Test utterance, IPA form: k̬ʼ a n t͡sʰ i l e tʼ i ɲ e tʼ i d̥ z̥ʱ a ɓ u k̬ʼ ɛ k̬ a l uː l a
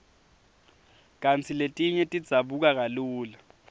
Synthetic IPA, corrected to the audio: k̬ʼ a n t͡sʰ i l e tʼ i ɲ ɛ tʼ i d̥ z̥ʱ a ɓ u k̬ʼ a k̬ a l uː l a